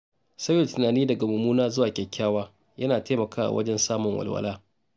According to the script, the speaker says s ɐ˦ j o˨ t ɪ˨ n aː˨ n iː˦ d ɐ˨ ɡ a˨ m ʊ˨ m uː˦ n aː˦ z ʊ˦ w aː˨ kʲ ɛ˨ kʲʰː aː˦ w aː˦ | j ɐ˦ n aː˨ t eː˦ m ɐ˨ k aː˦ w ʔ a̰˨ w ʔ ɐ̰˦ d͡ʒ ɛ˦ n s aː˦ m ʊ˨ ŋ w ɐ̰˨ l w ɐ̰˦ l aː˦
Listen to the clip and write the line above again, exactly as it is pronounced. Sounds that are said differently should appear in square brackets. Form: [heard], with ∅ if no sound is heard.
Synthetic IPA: s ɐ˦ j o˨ t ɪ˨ n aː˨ n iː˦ d ɐ˨ ɡ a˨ m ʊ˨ m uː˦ n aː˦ z ʊ˦ w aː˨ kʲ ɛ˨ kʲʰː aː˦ w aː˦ | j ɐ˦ n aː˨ t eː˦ m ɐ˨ k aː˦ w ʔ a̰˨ w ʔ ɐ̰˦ d͡ʒ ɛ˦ n s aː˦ m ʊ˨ ŋ w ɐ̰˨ l w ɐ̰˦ l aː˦